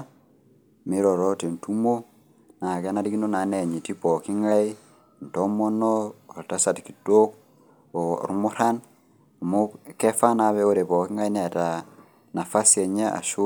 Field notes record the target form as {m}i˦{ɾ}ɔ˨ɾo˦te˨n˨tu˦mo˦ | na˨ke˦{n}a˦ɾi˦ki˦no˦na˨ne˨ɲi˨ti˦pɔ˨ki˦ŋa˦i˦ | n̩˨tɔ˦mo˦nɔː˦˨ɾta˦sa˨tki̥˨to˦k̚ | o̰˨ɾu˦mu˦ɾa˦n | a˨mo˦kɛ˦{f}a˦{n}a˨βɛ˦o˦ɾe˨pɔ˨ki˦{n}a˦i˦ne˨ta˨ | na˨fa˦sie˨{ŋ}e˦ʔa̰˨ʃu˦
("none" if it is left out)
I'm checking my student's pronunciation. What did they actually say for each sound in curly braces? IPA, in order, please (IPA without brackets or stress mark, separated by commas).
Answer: m, ɾ, n, f, n, ŋ, ɲ